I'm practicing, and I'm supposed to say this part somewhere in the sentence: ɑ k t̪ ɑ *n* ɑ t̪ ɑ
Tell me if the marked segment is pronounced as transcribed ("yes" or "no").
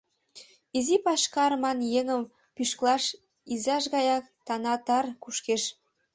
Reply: yes